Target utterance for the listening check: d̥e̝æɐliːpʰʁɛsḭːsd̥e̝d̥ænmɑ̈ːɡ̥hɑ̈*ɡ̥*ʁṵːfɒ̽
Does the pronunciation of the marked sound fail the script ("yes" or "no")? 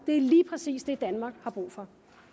yes